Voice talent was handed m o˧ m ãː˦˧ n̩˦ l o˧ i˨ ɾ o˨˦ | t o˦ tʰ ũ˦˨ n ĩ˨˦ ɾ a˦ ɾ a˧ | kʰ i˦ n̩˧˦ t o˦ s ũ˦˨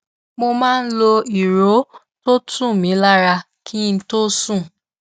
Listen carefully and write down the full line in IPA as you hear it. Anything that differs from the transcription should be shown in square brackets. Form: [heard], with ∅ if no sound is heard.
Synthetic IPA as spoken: m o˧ m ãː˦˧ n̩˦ l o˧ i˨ ɾ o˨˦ | t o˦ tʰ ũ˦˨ [m] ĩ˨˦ [l] a˦ ɾ a˧ | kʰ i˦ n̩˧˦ t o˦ s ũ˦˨